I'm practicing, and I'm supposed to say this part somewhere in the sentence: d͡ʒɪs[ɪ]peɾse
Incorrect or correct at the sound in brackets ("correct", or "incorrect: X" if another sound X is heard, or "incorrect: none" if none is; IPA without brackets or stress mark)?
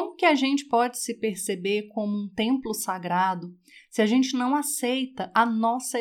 correct